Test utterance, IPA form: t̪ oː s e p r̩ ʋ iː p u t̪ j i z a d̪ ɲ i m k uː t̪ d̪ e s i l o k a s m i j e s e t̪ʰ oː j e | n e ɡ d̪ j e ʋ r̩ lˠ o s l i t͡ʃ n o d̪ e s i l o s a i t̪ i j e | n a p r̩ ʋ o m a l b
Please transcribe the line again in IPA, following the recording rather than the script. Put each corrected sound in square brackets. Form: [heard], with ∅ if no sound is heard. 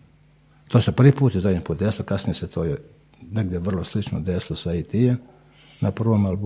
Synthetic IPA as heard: t̪ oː s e p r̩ ʋ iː p [uː] t̪ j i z a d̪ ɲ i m [p] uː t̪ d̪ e s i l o k a s [n] i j e s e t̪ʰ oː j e | n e ɡ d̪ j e ʋ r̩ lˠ o s l i t͡ʃ n o d̪ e s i l o s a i t̪ i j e | n a p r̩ ʋ o m a l b